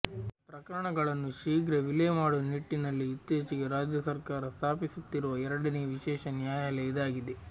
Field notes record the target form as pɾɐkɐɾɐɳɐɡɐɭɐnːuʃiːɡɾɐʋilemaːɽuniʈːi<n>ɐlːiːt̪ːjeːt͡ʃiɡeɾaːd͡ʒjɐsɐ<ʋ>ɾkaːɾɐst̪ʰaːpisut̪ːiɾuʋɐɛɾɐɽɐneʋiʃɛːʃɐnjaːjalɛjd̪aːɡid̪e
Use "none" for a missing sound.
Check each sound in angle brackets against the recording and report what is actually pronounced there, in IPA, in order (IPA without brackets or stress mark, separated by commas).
n, none